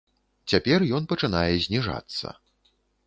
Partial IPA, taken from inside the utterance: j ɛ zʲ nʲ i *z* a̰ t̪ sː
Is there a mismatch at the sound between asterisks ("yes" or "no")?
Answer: yes